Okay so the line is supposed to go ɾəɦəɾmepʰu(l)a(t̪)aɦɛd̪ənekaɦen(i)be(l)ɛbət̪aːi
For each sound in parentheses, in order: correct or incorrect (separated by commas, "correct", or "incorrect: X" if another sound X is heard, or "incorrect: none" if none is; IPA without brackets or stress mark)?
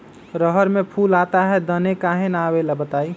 correct, correct, incorrect: a, correct